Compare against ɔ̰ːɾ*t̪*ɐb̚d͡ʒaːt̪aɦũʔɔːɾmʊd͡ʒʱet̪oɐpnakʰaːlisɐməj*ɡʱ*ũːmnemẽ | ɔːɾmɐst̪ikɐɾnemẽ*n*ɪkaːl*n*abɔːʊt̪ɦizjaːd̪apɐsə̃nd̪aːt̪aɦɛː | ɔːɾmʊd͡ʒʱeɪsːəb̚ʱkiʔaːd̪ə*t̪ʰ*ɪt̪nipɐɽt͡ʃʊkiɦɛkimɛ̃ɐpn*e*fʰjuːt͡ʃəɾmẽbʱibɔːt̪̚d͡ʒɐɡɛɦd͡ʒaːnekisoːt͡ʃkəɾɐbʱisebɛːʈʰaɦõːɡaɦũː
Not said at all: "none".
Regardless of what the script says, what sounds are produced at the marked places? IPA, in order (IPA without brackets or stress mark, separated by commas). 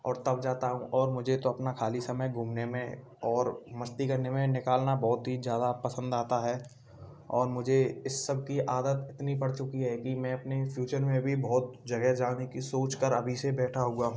t̪, ɡʱ, n, n, t̪, e